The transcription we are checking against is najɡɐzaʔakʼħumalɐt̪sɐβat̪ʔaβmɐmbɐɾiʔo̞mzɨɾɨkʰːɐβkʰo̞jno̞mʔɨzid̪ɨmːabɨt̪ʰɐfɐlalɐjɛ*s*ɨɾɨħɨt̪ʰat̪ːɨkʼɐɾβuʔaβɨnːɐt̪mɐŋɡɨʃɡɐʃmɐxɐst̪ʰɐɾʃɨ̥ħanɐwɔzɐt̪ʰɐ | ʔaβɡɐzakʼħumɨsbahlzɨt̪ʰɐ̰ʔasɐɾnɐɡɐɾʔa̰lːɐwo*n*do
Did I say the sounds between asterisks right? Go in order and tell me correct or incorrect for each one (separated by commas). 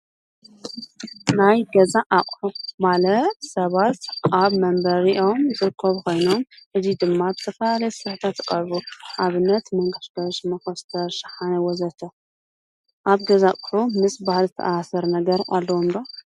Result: correct, incorrect